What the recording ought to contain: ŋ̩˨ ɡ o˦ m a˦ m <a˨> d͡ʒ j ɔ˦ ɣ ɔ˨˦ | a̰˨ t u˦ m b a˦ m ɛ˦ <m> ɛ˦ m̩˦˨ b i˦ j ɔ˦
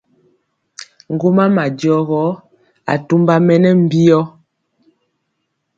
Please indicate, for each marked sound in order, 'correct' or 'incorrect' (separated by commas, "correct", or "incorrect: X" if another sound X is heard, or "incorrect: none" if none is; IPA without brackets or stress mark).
correct, incorrect: n